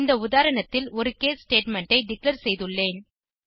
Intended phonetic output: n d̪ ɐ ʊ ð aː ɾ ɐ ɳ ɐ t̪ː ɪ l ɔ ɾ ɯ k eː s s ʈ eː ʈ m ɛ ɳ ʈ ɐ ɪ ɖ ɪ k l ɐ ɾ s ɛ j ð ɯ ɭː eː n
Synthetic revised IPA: n d̪ ɐ ʊ ð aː ɾ ɐ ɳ ɐ t̪ː ɪ l ɔ ɾ ɯ k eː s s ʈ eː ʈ m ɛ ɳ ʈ ɐ ɪ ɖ ɪ k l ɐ ɾ s ɛ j ð ɯ ɭː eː n